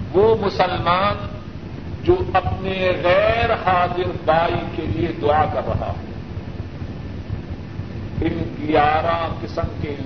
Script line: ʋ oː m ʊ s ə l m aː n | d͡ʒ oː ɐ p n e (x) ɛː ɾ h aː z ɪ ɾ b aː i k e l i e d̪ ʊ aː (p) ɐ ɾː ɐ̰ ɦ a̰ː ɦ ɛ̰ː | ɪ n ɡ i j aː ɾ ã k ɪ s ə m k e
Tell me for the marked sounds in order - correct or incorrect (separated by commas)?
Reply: incorrect, incorrect